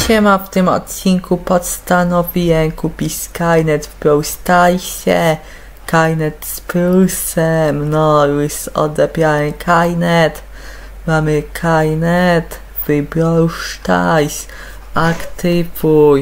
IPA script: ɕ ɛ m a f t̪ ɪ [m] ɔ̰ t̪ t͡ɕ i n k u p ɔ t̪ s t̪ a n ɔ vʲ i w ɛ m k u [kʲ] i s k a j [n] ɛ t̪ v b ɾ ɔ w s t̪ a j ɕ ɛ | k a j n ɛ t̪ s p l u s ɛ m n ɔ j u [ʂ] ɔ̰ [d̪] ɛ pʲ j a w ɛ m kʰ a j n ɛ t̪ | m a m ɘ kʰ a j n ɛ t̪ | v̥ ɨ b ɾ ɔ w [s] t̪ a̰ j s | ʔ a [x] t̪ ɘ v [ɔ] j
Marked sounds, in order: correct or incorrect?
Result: correct, incorrect, correct, incorrect, correct, incorrect, incorrect, incorrect

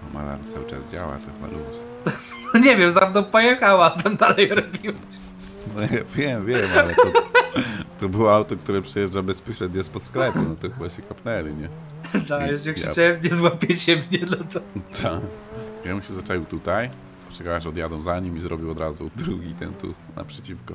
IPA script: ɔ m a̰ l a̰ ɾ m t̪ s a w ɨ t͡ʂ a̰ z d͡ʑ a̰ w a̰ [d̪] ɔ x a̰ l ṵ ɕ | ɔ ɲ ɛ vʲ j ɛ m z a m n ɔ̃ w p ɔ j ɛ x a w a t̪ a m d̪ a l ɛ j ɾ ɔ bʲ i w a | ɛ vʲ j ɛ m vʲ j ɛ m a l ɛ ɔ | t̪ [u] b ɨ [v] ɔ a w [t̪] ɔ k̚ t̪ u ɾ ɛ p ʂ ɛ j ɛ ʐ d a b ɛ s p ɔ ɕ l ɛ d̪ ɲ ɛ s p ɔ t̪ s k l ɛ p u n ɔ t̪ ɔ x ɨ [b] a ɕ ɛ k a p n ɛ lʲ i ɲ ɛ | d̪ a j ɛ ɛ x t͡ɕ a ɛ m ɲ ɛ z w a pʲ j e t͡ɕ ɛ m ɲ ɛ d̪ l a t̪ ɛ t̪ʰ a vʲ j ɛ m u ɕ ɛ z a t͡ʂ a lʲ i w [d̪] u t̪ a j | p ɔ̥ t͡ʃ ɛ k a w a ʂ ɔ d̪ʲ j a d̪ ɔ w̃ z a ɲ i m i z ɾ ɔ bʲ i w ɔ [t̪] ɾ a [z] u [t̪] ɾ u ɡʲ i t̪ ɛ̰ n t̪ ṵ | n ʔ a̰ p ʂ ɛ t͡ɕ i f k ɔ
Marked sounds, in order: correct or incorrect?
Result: incorrect, incorrect, incorrect, correct, correct, incorrect, incorrect, correct, incorrect

